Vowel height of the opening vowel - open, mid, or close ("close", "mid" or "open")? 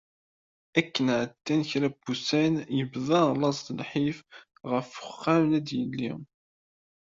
open